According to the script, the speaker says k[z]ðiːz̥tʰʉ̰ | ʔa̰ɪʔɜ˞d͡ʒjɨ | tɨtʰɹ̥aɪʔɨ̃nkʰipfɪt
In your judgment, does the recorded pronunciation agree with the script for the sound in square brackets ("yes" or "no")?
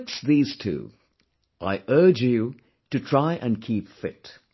no